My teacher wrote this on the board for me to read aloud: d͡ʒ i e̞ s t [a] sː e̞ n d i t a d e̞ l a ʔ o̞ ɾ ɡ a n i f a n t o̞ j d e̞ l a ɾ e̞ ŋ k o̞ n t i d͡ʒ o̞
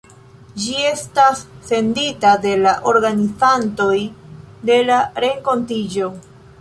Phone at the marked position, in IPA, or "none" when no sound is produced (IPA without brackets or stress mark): a